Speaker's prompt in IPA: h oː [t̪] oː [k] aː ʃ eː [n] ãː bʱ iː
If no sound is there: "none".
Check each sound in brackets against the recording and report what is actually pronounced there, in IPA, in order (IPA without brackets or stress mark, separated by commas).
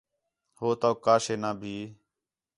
t̪, k, n